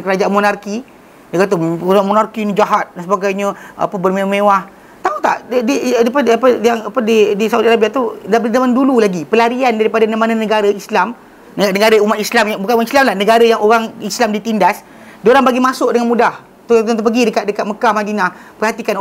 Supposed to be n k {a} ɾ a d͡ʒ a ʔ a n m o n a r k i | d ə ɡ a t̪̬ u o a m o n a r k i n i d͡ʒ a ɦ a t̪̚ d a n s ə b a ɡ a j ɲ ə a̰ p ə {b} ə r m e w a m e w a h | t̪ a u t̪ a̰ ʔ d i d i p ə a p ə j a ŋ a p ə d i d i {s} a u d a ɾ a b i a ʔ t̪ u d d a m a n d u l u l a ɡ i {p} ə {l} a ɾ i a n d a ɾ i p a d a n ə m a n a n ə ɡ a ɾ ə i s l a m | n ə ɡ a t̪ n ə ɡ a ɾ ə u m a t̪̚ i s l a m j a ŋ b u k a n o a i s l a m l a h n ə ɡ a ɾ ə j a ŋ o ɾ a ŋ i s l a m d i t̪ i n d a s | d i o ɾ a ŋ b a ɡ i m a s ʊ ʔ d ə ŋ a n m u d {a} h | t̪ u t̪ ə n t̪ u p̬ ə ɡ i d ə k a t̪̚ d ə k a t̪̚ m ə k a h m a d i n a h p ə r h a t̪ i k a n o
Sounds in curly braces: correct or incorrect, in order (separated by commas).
incorrect, correct, correct, correct, correct, correct